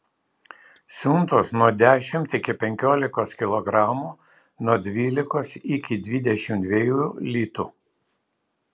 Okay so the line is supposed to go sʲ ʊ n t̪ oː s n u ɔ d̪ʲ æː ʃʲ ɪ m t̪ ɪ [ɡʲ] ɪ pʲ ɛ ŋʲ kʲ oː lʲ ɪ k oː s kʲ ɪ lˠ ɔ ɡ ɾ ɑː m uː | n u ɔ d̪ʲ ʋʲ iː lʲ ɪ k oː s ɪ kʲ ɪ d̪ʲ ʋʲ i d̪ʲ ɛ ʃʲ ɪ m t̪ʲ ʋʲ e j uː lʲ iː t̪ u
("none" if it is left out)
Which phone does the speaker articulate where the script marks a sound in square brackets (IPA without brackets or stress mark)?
kʲ